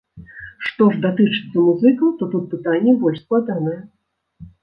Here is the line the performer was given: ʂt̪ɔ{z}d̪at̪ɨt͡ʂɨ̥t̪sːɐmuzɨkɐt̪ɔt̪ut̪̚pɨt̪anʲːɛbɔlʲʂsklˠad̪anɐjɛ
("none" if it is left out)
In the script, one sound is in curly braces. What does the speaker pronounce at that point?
ʐ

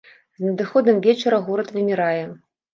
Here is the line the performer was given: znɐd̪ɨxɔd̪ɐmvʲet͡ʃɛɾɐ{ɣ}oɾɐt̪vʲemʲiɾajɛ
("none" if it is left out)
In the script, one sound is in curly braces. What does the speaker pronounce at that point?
ɣ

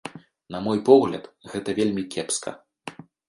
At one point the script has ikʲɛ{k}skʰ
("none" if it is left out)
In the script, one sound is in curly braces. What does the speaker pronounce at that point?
p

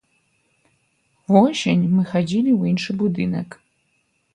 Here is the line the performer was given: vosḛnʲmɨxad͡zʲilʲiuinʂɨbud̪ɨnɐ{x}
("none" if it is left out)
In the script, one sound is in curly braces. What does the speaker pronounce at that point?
k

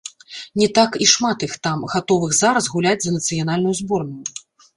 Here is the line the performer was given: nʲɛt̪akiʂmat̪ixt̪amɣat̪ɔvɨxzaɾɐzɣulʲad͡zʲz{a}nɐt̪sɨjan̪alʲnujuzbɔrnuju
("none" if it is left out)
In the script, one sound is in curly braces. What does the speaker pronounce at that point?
ɐ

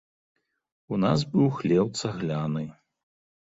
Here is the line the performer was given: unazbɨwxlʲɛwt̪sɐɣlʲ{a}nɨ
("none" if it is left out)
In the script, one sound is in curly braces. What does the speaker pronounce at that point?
a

